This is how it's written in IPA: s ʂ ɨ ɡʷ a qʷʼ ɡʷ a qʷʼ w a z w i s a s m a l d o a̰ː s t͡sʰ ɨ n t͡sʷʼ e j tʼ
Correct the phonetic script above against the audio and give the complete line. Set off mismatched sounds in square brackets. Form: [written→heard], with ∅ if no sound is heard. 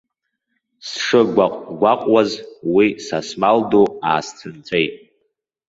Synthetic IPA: s ʂ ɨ ɡʷ a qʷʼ ɡʷ a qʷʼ w a z w i s a s m a l d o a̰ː s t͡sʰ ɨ n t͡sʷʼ e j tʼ